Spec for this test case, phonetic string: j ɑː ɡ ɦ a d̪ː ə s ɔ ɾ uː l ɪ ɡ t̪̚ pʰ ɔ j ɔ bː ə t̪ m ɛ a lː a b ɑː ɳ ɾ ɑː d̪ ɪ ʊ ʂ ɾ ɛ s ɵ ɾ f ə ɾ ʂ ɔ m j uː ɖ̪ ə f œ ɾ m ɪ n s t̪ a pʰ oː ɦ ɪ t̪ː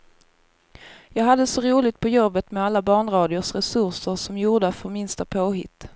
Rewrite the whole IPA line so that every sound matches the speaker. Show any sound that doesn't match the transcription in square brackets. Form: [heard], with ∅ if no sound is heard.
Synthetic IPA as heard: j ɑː ɡ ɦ a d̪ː ə s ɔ ɾ uː l ɪ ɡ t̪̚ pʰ ɔ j ɔ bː ə t̪ m ɛ a lː a b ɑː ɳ ɾ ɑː d̪ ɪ ʊ ʂ ɾ ɛ s ɵ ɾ [ʂ] ə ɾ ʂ ɔ m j uː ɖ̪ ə f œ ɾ m ɪ n s t̪ a pʰ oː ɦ ɪ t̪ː